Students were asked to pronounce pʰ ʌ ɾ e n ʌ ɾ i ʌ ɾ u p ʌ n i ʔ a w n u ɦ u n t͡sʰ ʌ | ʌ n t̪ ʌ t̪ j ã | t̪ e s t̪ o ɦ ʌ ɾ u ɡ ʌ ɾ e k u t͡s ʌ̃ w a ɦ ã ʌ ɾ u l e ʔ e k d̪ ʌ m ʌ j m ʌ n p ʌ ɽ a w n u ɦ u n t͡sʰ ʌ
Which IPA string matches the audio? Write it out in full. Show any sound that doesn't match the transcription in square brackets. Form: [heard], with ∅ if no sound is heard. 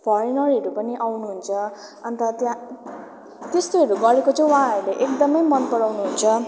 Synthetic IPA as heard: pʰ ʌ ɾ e n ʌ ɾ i ʌ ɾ u p ʌ n i ʔ a w n u ɦ u n t͡sʰ ʌ | ʌ n t̪ ʌ t̪ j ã | t̪ e s t̪ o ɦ ʌ ɾ u ɡ ʌ ɾ e k [o] t͡s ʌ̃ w a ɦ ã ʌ ɾ u l e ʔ e k d̪ ʌ m ʌ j m ʌ n p ʌ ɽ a w n u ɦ u n t͡sʰ ʌ